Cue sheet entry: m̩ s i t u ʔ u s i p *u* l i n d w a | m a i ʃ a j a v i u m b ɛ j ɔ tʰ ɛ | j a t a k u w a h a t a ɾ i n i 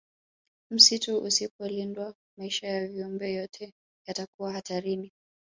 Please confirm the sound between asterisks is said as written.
no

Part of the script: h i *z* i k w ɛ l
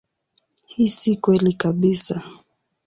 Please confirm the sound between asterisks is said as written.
no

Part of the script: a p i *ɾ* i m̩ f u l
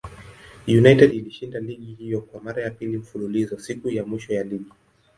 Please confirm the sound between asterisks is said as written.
no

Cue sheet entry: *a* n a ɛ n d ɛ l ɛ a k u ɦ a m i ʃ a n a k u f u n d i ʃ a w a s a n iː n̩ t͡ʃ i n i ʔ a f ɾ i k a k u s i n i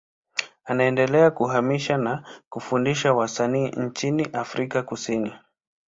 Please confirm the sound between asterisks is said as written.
yes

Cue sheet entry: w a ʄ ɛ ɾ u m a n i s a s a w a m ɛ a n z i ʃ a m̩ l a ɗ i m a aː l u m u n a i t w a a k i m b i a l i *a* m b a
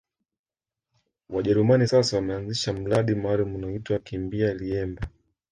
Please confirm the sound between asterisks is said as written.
no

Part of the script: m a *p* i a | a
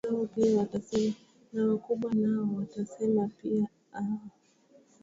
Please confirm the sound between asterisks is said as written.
yes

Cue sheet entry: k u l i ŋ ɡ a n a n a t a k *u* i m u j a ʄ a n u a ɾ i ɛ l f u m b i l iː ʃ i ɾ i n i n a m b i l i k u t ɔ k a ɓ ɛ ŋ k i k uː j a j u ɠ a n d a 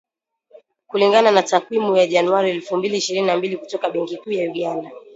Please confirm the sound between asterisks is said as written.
no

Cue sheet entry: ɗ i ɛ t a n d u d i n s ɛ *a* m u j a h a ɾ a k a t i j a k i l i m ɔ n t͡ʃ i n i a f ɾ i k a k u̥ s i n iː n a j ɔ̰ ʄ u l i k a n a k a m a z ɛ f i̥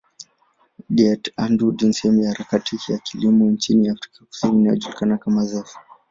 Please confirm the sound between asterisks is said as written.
no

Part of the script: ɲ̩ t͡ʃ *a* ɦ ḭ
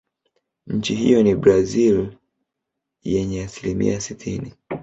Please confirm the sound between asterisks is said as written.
no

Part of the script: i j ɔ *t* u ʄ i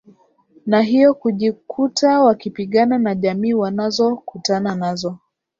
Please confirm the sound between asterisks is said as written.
no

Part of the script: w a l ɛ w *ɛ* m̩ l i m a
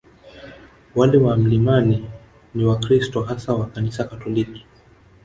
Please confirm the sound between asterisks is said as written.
no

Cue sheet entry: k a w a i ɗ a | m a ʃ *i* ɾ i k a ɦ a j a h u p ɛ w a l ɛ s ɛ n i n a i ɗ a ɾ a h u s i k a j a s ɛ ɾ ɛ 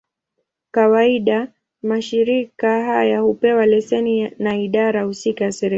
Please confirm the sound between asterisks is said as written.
yes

